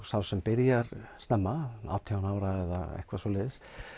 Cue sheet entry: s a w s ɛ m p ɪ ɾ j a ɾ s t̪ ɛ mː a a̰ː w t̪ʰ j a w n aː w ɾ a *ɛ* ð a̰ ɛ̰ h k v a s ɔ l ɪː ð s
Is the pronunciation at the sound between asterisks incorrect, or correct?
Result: correct